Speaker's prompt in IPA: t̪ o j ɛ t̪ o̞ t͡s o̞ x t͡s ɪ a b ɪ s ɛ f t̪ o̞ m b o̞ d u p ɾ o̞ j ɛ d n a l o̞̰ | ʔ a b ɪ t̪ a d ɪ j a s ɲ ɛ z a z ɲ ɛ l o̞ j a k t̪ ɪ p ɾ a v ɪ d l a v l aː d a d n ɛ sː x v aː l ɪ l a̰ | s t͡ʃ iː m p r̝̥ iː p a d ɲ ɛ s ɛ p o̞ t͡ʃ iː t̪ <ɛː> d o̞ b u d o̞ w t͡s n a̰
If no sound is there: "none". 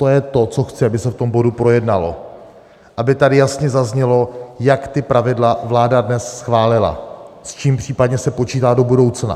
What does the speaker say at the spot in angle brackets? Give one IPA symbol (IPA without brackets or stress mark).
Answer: aː